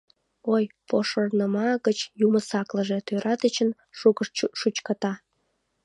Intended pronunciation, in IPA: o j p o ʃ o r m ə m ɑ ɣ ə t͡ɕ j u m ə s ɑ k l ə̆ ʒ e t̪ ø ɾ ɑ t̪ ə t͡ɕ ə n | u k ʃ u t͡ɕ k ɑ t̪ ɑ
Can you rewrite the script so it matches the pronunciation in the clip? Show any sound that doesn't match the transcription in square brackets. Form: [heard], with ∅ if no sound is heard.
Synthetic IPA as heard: o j p o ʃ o r [n] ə m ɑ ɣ ə t͡ɕ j u m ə s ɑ k l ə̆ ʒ e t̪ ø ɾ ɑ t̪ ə t͡ɕ ə n | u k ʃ u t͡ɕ k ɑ t̪ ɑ

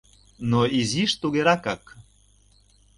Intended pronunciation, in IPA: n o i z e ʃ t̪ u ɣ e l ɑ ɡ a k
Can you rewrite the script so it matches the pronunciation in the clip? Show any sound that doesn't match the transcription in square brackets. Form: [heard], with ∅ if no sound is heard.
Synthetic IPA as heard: n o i z [i] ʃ t̪ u ɣ e [ɾ] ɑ [k] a k

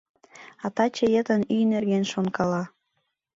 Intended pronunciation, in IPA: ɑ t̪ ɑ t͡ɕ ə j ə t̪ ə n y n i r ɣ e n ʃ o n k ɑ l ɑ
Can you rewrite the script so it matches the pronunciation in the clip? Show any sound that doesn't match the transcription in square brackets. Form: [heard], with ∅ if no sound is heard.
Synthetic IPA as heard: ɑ t̪ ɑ t͡ɕ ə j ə t̪ ə n y n [e] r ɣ e n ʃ o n k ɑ l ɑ

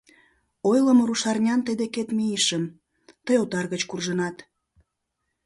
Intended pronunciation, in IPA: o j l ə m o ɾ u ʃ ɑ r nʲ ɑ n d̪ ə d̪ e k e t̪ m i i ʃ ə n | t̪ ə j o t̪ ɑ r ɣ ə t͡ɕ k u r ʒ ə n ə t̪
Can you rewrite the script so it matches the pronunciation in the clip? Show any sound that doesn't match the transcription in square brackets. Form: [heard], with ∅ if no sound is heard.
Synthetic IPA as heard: o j l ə m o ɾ u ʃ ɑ r nʲ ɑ n [t̪] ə d̪ e k e t̪ m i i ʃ ə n | t̪ ə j o t̪ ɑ r ɣ ə t͡ɕ k u r ʒ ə n [ɑ] t̪

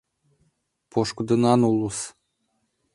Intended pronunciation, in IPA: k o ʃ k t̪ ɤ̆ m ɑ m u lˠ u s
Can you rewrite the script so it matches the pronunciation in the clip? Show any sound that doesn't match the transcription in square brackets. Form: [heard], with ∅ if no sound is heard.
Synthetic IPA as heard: [p] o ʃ k [d̪] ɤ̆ [n] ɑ [n] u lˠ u s

